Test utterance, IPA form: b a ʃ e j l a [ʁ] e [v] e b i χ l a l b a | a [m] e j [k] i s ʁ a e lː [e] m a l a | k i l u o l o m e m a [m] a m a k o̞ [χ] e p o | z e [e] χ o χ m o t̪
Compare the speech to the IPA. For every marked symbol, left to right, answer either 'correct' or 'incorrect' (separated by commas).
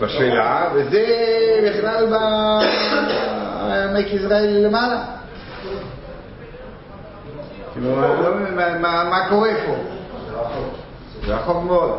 incorrect, incorrect, correct, correct, correct, correct, incorrect, incorrect